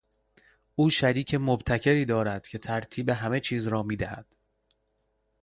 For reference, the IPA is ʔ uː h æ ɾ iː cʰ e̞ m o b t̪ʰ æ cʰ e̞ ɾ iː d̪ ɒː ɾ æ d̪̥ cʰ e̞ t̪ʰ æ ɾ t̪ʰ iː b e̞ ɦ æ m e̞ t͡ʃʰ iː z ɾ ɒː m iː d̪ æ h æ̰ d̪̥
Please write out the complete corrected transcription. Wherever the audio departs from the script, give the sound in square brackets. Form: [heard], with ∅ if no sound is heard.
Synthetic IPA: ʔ uː [ʃ] æ ɾ iː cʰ e̞ m o b t̪ʰ æ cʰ e̞ ɾ iː d̪ ɒː ɾ æ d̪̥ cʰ e̞ t̪ʰ æ ɾ t̪ʰ iː b e̞ ɦ æ m e̞ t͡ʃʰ iː z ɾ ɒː m iː d̪ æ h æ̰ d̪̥